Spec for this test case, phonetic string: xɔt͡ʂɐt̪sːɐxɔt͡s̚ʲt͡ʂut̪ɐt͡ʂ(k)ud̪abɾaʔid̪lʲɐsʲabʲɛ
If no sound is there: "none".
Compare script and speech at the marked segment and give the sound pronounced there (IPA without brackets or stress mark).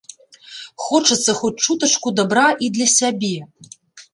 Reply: k